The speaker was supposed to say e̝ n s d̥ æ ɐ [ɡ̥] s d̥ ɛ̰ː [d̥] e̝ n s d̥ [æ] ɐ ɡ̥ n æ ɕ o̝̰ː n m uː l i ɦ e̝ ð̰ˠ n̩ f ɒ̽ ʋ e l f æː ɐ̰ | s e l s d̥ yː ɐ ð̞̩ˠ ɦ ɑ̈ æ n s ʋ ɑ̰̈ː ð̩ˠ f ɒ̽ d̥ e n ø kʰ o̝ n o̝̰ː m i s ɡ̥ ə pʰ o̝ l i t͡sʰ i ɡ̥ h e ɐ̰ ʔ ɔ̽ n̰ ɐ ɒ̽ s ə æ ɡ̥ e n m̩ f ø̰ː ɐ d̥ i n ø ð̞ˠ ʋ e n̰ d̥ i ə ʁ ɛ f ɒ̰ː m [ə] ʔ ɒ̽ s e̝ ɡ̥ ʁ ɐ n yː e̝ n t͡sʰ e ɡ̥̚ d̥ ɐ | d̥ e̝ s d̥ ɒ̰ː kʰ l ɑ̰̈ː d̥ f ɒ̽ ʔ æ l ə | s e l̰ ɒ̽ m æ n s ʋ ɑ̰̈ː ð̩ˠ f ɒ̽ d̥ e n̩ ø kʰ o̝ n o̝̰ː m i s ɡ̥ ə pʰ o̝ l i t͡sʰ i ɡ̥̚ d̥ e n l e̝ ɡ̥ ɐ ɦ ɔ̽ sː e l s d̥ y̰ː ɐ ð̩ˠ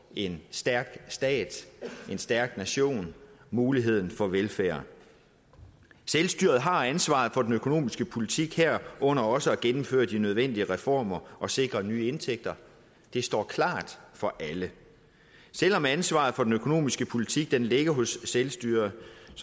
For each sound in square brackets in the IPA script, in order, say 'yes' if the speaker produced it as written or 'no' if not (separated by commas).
yes, yes, yes, no